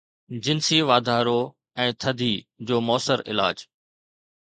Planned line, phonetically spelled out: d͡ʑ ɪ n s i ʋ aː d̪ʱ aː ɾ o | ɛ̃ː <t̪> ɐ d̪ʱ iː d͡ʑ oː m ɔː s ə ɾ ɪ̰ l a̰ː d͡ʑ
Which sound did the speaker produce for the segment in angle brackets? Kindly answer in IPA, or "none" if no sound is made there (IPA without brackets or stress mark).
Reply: t̪ʰ